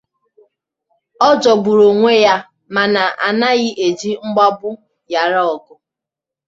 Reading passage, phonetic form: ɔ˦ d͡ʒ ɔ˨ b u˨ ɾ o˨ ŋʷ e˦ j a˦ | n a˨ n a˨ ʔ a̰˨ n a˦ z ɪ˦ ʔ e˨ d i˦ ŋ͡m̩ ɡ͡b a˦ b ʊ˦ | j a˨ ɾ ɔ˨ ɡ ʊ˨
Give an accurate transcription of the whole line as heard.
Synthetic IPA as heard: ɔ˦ d͡ʒ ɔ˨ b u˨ ɾ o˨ ŋʷ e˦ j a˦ | m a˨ n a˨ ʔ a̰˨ n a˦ ɣ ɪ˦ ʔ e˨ d͡ʒ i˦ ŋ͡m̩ ɡ͡b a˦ b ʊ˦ | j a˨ ɾ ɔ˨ ɡ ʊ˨